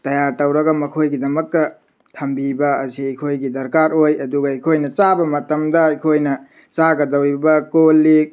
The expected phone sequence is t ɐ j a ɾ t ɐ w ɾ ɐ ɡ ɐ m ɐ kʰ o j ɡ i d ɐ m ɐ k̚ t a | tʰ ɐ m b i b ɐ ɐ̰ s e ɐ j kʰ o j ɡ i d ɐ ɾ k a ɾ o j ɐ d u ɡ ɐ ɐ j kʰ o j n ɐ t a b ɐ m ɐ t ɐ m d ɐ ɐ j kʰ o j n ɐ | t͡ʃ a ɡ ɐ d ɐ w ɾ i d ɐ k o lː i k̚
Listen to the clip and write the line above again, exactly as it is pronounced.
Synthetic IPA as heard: t ɐ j a ɾ t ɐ w ɾ ɐ ɡ ɐ m ɐ kʰ o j ɡ i d ɐ m ɐ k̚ t ɐ | tʰ ɐ m b i b ɐ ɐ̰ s i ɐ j kʰ o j ɡ i d ɐ ɾ k a ɾ o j ɐ d u ɡ ɐ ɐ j kʰ o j n ɐ t͡ʃ a b ɐ m ɐ t ɐ m d ɐ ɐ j kʰ o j n ɐ | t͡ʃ a ɡ ɐ d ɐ w ɾ i b ɐ k o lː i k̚